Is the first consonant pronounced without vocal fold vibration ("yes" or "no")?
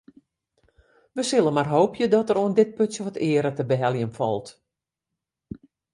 no